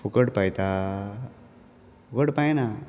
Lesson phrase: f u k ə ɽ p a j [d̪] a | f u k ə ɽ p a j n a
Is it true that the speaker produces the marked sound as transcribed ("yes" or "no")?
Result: no